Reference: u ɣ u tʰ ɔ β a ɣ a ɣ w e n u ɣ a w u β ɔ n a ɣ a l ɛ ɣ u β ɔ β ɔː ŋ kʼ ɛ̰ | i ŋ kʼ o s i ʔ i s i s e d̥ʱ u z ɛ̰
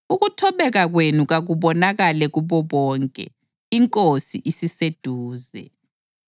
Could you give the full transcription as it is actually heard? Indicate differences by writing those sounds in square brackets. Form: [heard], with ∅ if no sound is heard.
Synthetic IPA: u ɣ u tʰ ɔ β [ɛ] ɣ a ɣ w e n u ɣ a [ɣ] u β ɔ n a ɣ a l ɛ ɣ u β ɔ β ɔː ŋ kʼ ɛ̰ | i ŋ kʼ o s i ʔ i s i s e d̥ʱ [uː] z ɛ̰